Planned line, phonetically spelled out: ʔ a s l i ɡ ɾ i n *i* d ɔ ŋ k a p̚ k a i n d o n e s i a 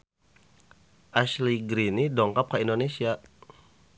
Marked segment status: correct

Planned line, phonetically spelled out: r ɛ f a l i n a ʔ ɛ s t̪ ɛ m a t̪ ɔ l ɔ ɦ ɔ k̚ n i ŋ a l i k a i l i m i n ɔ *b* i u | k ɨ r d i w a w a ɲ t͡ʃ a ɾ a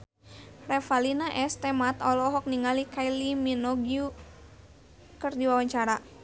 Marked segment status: incorrect: ɡ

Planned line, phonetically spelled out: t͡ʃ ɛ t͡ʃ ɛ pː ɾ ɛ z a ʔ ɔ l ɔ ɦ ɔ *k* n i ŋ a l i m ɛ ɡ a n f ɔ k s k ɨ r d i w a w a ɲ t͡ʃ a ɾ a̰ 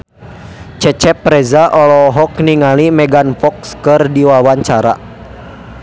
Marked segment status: correct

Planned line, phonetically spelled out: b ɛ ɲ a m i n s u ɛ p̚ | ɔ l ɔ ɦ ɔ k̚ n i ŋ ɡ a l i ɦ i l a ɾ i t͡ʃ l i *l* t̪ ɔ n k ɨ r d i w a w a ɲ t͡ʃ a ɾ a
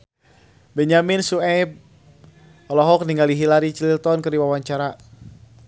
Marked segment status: correct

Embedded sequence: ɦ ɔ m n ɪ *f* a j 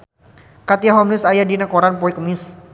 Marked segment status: incorrect: s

